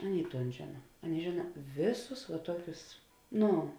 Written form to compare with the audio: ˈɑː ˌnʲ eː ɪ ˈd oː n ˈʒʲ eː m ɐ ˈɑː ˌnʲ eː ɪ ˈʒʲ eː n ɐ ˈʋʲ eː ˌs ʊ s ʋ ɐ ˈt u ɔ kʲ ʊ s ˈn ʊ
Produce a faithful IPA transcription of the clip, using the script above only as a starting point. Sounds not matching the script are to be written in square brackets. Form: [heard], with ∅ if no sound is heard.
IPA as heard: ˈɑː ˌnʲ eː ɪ [ˈt] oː n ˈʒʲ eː [n] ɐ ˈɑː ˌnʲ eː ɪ ˈʒʲ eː n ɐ ˈʋʲ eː ˌs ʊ s ʋ ɐ ˈt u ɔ kʲ ʊ s ˈn ʊ